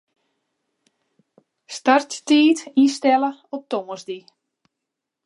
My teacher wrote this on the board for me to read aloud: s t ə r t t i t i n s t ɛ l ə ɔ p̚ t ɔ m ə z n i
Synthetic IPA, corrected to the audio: s t a r t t iː t i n s t ɛ l ə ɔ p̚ t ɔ m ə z d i